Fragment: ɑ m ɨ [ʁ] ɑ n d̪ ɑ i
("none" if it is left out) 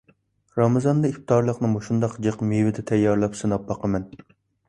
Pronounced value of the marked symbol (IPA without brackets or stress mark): z